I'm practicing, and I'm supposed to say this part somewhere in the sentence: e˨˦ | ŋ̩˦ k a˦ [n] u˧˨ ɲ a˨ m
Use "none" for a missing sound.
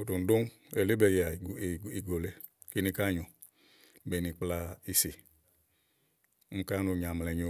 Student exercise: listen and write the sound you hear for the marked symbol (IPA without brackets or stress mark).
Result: n